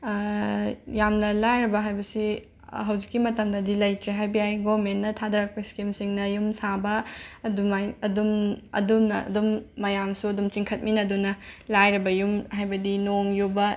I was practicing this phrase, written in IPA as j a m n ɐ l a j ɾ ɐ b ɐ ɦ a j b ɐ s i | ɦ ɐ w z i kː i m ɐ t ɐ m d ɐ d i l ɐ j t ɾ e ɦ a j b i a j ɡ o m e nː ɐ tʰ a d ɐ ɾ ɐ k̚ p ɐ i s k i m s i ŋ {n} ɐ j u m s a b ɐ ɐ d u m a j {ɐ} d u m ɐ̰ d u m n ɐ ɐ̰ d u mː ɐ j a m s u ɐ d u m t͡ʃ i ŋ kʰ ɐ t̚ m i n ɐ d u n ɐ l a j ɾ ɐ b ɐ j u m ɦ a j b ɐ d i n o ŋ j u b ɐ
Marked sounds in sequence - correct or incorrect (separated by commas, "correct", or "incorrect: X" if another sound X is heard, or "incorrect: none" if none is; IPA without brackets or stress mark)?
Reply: correct, correct